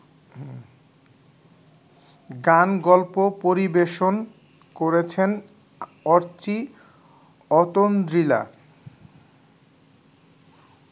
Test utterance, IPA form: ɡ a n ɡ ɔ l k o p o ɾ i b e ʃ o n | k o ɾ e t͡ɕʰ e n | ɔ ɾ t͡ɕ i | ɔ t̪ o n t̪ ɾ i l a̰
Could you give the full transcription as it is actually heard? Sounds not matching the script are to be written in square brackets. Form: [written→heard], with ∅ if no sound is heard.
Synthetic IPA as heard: ɡ a n ɡ ɔ l [k→p] o p o ɾ i b e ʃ o n | k o ɾ e t͡ɕʰ e n | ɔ ɾ t͡ɕ i | ɔ t̪ o n [t̪→d̪] ɾ i l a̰